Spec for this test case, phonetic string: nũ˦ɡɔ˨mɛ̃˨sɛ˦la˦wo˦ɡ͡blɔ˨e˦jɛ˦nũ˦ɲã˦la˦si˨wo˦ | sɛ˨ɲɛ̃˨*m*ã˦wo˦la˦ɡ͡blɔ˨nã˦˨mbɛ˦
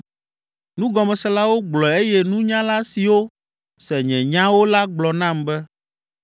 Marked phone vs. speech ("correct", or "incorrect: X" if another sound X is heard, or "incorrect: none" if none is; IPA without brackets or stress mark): incorrect: ɲ